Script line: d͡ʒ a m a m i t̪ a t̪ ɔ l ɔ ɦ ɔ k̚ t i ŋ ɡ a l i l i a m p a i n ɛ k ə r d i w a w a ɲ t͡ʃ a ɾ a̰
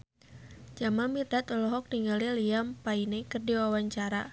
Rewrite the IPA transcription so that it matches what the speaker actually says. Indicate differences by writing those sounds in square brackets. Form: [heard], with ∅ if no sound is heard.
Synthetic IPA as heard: d͡ʒ a m a m i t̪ a t̪ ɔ l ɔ ɦ ɔ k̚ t i ŋ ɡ a l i l i a m p a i n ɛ k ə r d i w a w a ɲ t͡ʃ a ɾ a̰